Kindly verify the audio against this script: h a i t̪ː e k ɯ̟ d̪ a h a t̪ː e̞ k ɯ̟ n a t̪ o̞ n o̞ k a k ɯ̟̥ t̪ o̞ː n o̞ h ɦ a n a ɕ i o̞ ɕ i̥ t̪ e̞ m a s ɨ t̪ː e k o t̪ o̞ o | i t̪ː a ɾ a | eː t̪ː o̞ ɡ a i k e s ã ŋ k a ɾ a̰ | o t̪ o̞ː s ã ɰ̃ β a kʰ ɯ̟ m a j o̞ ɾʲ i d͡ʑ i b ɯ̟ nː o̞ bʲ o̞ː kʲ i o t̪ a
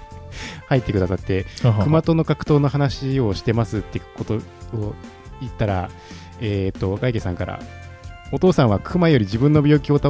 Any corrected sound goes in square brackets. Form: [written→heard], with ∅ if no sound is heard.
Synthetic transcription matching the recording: h a i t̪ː e k ɯ̟ d̪ a [h→s] a t̪ː e̞ k ɯ̟ [n→m] a t̪ o̞ n o̞ k a k ɯ̟̥ t̪ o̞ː n o̞ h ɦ a n a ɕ i o̞ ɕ i̥ t̪ e̞ m a s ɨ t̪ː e k o t̪ o̞ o | i t̪ː a ɾ a | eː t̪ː o̞ ɡ a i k e s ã ŋ k a ɾ a̰ | o t̪ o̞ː s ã ɰ̃ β a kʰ ɯ̟ m a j o̞ ɾʲ i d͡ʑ i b [ɯ̟→ɯ̟̃] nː o̞ bʲ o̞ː kʲ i o t̪ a